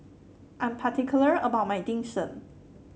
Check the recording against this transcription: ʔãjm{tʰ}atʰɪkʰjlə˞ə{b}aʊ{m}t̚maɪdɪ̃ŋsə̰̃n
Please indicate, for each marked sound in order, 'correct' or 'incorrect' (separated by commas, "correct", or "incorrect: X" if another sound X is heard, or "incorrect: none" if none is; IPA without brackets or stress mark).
incorrect: pʰ, correct, incorrect: none